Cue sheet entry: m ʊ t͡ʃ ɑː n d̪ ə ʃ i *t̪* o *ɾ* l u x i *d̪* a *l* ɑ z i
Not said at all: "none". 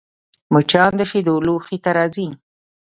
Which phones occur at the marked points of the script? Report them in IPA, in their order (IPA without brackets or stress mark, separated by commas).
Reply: d̪, none, t̪, ɾ